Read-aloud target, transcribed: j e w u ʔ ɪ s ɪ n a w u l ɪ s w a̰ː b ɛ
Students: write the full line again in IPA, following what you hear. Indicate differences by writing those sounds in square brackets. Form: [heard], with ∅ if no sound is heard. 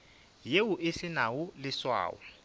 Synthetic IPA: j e w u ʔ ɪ s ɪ n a w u l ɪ s w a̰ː [w] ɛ